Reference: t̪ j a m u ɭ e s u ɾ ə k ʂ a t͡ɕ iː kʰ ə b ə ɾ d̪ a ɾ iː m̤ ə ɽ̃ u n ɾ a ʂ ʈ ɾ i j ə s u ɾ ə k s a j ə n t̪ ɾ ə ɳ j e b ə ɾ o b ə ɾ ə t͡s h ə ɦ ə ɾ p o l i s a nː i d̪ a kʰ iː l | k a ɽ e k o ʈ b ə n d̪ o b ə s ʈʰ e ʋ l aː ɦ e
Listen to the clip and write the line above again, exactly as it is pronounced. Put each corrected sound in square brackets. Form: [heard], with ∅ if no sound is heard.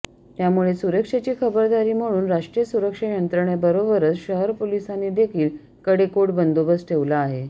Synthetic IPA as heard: t̪ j a m u ɭ e s u ɾ ə k ʂ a t͡ɕ iː kʰ ə b ə ɾ d̪ a ɾ iː m̤ ə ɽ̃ [uː] n ɾ a ʂ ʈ ɾ i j ə s u ɾ ə k [ʂ] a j ə n t̪ ɾ ə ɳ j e b ə ɾ o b ə ɾ ə t͡s [ɕ] ə ɦ ə ɾ p o l i s a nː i d̪ [e] kʰ iː l | k [ə] ɽ e k o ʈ b ə n d̪ o b ə s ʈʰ e ʋ l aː ɦ e